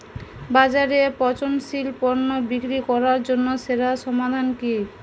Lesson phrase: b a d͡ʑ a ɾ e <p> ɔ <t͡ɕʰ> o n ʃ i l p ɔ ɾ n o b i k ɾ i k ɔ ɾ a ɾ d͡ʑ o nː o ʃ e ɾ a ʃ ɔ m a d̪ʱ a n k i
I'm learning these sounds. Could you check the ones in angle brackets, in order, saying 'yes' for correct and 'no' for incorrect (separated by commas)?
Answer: yes, no